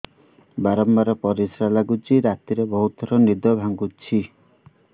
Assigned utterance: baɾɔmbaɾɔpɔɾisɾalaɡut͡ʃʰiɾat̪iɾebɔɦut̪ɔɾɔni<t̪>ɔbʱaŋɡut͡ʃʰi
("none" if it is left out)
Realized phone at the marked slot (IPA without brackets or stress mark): d̪